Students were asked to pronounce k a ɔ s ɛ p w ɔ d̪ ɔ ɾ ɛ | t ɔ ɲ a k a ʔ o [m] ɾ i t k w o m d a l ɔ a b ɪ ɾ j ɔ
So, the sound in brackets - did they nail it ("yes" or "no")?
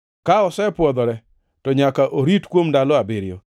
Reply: no